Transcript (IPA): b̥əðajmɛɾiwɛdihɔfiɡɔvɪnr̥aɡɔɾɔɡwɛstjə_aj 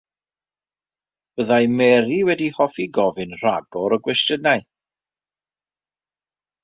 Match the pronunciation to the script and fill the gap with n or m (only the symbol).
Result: n